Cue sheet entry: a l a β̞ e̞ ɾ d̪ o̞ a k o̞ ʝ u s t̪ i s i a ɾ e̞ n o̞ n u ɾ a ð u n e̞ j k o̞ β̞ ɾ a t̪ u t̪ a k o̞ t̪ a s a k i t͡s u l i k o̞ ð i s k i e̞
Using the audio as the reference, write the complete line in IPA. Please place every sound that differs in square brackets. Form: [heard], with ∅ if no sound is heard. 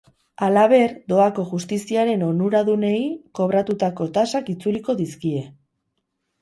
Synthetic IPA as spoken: a l a β̞ e̞ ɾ d̪ o̞ a k o̞ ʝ u s t̪ i s i a ɾ e̞ n o̞ n u ɾ a ð u n e̞ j k o̞ β̞ ɾ a t̪ u t̪ a k o̞ t̪ a s a k i t͡s u l i k o̞ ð i s k i e̞